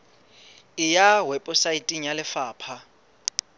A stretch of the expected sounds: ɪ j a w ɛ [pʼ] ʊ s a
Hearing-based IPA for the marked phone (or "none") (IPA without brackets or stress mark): pʼ